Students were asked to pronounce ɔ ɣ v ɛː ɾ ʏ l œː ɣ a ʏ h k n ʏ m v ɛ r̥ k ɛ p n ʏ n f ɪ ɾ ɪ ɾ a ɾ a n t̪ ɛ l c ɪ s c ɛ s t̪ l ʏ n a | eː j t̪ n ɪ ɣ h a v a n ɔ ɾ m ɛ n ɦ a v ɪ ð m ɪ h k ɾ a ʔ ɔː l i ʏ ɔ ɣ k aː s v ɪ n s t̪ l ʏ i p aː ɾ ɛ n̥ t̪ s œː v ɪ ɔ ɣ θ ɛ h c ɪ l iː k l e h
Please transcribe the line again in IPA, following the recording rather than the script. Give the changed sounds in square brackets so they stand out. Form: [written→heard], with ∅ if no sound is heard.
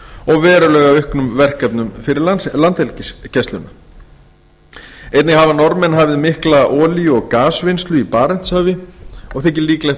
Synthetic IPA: ɔ ɣ v ɛː ɾ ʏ l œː ɣ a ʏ h k n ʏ m v ɛ r̥ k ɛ p n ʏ [n→m] f ɪ ɾ ɪ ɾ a [ɾ→l] a n t̪ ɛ l c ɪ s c ɛ s t̪ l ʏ n a | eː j t̪ n ɪ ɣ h a v a n ɔ ɾ m ɛ n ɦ a v ɪ ð m ɪ h k [ɾ→l] a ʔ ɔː l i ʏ ɔ ɣ k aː s v ɪ n s t̪ l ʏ i p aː ɾ ɛ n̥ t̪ s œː v ɪ ɔ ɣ θ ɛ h c ɪ l iː k l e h

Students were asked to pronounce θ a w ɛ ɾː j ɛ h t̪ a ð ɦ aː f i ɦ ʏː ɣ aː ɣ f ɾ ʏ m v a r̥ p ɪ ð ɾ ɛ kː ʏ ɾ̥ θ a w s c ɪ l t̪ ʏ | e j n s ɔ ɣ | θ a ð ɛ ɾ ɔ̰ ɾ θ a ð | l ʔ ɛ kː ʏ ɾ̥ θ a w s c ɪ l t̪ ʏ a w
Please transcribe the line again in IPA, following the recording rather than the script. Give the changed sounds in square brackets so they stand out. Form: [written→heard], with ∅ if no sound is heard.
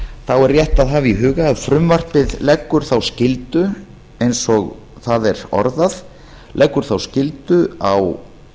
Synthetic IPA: θ a w ɛ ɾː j ɛ h t̪ a ð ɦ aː [f→v] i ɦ ʏː ɣ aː [ɣ→ð] f ɾ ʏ m v a r̥ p ɪ ð [ɾ→l] ɛ kː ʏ ɾ̥ θ a w s c ɪ l t̪ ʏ | e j n s ɔ ɣ | θ a ð ɛ ɾ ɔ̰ ɾ [θ→ð] a ð | l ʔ ɛ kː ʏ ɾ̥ θ a w s c ɪ l t̪ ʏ a w

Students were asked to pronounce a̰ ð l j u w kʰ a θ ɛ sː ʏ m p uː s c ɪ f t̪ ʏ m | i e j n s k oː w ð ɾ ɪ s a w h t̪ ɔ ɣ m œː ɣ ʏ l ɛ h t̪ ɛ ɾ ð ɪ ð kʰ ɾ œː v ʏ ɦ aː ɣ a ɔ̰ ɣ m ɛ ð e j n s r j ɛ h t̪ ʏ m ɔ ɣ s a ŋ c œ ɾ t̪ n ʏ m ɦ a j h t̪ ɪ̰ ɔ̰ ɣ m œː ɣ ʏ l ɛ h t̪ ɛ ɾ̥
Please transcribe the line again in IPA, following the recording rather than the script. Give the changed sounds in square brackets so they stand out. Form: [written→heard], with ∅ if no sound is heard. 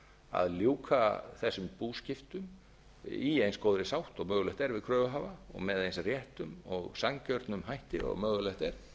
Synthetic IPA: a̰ ð l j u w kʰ a θ ɛ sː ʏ m p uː s c ɪ f t̪ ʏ m | i e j n s k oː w ð ɾ ɪ s a w h t̪ ɔ ɣ m œː ɣ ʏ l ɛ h t̪ ɛ ɾ [ð→v] ɪ ð kʰ ɾ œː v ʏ ɦ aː [ɣ→v] a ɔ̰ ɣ m ɛ ð e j n s r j ɛ h t̪ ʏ m ɔ ɣ s a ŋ c œ ɾ t̪ n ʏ m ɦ a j h t̪ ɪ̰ ɔ̰ ɣ m œː ɣ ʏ l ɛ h t̪ ɛ ɾ̥

